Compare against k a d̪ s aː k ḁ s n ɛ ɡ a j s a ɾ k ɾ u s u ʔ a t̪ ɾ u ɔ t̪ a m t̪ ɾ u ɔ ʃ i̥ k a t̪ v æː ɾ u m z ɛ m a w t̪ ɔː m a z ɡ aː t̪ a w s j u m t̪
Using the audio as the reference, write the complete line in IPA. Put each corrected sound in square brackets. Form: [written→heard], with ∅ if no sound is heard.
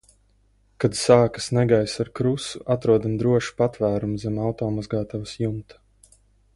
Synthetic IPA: k a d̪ s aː k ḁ s n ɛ ɡ a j s a ɾ k ɾ u s u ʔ a t̪ ɾ u ɔ [t̪→d̪] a m [t̪→d̪] ɾ u ɔ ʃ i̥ [k→p] a t̪ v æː ɾ u m z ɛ m a w t̪ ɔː m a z ɡ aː t̪ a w s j u m t̪